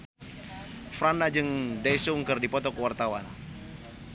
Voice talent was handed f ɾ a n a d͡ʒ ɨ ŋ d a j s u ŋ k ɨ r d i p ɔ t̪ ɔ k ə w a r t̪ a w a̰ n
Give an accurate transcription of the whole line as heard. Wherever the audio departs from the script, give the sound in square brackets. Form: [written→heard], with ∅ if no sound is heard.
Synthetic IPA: f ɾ a n a d͡ʒ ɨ ŋ d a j s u ŋ k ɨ r d i p ɔ t̪ ɔ k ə w a r t̪ a w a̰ n